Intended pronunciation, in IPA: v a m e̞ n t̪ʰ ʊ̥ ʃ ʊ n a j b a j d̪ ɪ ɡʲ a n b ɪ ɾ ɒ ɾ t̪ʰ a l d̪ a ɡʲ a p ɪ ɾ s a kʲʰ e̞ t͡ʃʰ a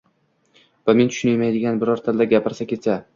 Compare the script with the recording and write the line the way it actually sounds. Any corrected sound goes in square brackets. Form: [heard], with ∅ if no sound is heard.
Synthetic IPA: v a m e̞ n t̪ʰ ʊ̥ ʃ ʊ n a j [m] a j d̪ ɪ ɡʲ a n b ɪ ɾ ɒ ɾ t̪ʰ a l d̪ a ɡʲ a p ɪ ɾ s a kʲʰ e̞ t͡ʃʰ a